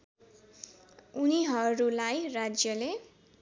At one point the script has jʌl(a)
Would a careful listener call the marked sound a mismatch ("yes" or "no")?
yes